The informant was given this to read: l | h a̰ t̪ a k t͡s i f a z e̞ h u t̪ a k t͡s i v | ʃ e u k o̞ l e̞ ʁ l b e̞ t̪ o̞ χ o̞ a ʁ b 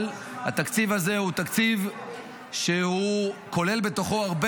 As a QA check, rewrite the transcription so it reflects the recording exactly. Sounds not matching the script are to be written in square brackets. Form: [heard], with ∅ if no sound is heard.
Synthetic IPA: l | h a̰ t̪ a k t͡s i [v] a z e̞ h u t̪ a k t͡s i v | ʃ e u k o̞ l e̞ [∅] l b e̞ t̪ o̞ χ o̞ a ʁ b